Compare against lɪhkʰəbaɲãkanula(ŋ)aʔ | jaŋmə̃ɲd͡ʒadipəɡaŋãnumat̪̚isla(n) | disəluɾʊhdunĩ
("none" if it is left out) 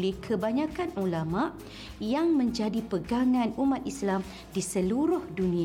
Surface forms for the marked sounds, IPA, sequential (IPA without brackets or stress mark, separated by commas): m, m